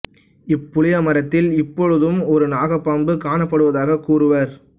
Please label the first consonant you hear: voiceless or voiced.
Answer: voiceless